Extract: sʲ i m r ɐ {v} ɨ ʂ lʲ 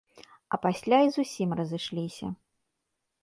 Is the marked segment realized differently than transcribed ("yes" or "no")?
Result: yes